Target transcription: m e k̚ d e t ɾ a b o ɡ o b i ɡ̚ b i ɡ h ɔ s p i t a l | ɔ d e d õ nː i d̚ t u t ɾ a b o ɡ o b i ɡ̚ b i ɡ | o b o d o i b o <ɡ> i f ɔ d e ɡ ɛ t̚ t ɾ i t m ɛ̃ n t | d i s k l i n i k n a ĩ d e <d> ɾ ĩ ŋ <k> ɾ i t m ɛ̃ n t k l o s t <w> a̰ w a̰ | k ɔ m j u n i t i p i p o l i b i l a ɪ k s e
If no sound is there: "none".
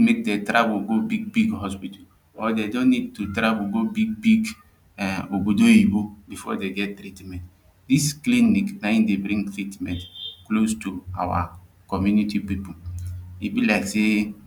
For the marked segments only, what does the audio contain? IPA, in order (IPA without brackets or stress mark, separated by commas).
b, b, t, u